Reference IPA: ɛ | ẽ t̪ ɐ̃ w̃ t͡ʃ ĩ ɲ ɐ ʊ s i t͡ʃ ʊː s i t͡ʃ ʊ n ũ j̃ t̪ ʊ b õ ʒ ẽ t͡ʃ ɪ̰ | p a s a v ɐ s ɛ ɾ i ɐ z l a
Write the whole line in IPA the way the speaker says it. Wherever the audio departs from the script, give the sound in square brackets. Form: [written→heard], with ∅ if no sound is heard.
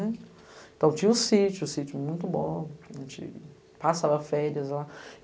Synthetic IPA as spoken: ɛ | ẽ t̪ ɐ̃ w̃ t͡ʃ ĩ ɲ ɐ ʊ s i t͡ʃ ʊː s i t͡ʃ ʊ [n→m] ũ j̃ t̪ ʊ b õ ʒ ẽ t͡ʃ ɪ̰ | p a s a v ɐ [s→f] ɛ ɾ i ɐ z l a